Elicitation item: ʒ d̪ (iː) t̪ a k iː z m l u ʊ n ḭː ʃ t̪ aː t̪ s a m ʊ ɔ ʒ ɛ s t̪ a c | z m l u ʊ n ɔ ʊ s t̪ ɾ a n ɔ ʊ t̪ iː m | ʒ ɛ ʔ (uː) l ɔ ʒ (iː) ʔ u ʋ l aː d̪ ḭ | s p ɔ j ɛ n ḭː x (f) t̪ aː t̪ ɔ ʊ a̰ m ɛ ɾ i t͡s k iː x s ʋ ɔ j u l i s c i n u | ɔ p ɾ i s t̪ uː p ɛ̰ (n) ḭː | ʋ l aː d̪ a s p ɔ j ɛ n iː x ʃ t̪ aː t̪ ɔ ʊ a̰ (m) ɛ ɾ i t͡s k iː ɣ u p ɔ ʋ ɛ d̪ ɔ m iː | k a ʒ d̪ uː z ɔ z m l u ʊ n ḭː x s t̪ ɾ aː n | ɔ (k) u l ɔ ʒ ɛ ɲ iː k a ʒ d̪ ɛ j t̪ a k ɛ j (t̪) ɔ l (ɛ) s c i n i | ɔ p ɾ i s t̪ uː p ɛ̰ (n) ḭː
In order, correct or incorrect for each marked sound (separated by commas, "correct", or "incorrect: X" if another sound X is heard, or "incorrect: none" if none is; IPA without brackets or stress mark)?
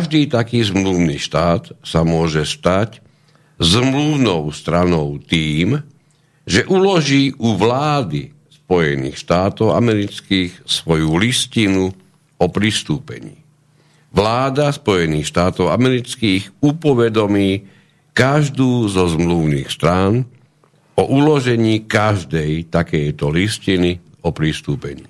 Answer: correct, incorrect: u, correct, incorrect: ʃ, incorrect: ɲ, correct, incorrect: ʔ, correct, incorrect: i, incorrect: ɲ